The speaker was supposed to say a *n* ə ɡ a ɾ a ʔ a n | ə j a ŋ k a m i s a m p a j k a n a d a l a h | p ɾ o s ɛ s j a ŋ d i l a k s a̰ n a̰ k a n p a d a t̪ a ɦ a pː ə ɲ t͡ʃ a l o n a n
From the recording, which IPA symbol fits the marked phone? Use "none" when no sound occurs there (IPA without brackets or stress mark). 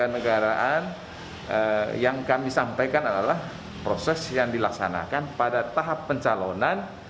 n